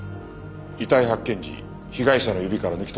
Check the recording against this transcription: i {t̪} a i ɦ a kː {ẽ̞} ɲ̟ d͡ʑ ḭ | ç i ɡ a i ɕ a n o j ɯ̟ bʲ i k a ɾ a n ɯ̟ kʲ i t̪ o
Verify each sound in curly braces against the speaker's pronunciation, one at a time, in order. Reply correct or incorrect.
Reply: correct, correct

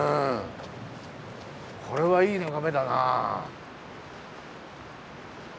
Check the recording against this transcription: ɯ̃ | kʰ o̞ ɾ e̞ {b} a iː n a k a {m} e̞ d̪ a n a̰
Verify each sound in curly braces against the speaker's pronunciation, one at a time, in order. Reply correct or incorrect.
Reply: incorrect: β, correct

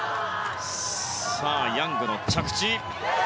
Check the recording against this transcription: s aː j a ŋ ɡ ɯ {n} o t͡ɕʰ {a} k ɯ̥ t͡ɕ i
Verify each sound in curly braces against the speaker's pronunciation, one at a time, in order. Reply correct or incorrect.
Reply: correct, correct

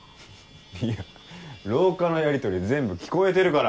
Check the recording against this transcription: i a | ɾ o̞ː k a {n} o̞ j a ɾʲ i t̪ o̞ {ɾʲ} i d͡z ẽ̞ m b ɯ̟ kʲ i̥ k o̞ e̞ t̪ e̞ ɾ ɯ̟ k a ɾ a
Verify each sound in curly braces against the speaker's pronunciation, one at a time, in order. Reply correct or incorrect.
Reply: correct, correct

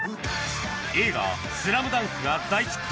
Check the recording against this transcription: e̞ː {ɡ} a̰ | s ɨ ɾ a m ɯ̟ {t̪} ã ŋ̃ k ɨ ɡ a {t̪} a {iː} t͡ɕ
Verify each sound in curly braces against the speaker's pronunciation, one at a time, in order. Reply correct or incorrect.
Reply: correct, incorrect: d̪, incorrect: d̪, incorrect: i

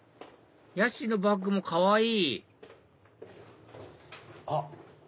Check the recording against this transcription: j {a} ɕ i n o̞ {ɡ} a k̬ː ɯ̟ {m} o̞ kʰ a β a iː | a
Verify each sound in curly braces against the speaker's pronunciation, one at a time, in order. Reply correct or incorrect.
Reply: correct, incorrect: b, correct

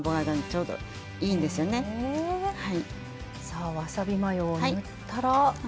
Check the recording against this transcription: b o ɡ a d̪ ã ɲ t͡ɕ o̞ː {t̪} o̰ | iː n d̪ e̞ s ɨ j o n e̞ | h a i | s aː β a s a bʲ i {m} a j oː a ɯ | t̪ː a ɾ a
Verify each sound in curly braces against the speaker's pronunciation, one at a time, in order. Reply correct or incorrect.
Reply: incorrect: d̪, correct

